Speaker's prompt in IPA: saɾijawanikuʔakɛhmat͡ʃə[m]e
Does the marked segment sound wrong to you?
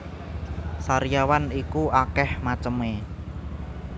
no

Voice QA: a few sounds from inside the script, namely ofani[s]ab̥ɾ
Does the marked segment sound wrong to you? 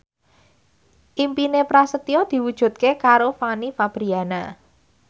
yes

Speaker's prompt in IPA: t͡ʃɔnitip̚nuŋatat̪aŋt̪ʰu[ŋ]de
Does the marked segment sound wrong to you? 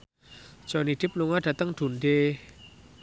yes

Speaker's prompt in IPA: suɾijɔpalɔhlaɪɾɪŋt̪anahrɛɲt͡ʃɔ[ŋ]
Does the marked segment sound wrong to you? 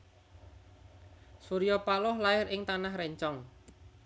no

